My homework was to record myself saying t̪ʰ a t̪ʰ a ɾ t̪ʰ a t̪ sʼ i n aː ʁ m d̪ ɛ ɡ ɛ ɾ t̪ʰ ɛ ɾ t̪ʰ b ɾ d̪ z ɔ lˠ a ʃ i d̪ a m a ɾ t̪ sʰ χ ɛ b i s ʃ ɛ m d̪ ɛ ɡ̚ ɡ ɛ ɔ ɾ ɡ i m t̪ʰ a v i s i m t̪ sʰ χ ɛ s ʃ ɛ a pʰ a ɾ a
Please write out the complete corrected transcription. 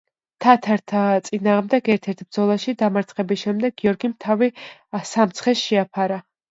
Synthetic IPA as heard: t̪ʰ a t̪ʰ a ɾ t̪ʰ a t̪ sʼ i n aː ʁ m d̪ ɛ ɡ ɛ ɾ t̪ʰ ɛ ɾ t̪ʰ b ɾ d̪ z ɔ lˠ a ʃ i d̪ a m a ɾ t̪ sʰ χ ɛ b i s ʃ ɛ m d̪ ɛ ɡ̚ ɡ i ɔ ɾ ɡ i m t̪ʰ a v i s a m t̪ sʰ χ ɛ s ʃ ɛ a pʰ a ɾ a